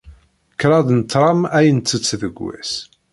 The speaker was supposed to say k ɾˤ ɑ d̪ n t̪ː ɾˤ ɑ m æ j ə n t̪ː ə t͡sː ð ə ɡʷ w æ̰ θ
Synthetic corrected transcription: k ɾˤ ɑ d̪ n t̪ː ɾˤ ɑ m æ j ə n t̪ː ə t͡sː ð ə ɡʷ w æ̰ s

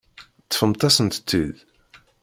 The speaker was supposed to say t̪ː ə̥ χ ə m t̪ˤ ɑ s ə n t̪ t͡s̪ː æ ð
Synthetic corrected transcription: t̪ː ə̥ f ə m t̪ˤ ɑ s ə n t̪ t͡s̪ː i ð

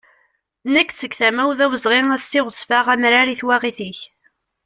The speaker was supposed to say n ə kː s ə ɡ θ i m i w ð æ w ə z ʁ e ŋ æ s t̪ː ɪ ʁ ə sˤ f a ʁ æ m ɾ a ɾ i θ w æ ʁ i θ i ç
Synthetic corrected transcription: n ə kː s ə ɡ θ æ m æ w ð æ w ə z ʁ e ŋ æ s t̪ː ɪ ʁ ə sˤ f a ʁ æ m ɾ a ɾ i θ w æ ʁ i θ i ç

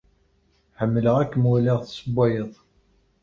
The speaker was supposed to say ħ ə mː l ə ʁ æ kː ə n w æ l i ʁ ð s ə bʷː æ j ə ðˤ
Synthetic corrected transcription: ħ ə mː l ə ʁ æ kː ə m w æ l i ʁ θ s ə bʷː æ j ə ðˤ

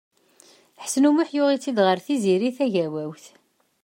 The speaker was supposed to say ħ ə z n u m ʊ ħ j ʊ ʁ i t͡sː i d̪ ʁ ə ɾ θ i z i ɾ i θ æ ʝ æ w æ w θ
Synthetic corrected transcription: ħ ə s n u m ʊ ħ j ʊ ʁ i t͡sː i d̪ ʁ ə ɾ θ i z i ɾ i θ æ ʝ æ w æ w θ

